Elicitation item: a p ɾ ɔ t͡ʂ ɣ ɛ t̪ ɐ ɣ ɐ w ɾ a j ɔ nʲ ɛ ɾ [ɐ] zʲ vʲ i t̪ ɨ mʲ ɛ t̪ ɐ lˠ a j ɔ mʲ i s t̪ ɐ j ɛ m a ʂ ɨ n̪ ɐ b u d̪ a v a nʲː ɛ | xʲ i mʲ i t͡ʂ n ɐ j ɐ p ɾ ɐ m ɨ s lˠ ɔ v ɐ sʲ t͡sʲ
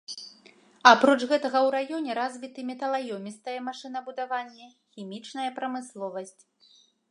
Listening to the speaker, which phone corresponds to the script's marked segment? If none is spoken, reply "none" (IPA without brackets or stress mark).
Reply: a